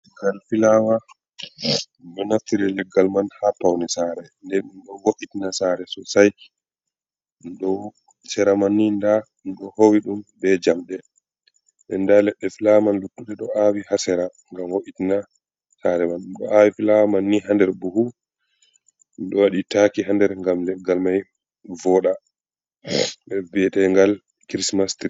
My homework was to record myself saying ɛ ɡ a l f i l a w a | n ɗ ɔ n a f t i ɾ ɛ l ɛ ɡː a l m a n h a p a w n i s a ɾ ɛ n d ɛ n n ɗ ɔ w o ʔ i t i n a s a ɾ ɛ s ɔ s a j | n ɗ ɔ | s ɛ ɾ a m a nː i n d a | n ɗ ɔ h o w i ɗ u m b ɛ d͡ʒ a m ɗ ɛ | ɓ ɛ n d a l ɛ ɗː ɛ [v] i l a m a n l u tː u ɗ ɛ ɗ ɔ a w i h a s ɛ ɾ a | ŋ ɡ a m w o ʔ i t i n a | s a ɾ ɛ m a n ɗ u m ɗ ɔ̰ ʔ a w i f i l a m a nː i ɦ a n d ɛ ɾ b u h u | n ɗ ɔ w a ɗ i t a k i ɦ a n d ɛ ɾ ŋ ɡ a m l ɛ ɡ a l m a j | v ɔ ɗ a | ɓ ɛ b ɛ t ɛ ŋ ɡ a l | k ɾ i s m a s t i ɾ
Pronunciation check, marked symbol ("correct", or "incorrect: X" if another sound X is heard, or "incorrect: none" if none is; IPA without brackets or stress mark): incorrect: f